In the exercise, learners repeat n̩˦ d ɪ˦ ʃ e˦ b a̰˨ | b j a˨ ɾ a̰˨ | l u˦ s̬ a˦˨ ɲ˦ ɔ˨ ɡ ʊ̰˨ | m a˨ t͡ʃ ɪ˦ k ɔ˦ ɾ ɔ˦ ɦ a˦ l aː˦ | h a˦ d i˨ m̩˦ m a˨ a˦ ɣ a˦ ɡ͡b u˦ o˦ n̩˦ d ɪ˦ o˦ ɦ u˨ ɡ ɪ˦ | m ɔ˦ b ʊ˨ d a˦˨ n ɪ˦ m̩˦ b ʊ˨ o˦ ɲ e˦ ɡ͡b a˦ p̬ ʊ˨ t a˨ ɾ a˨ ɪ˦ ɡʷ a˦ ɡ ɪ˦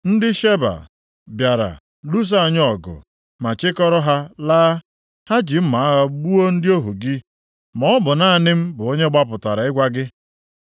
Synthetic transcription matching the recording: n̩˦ d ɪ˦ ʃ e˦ b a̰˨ | b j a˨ ɾ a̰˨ | l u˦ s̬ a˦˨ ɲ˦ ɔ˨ ɡ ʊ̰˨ | m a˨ t͡ʃ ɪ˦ k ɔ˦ ɾ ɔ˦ ɦ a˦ l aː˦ | h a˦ d͡ʒ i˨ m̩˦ m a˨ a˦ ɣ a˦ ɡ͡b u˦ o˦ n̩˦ d ɪ˦ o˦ ɦ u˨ ɡ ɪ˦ | m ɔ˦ b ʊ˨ n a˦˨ n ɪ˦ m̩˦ b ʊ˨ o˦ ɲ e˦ ɡ͡b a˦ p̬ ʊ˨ t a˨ ɾ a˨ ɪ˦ ɡʷ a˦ ɡ ɪ˦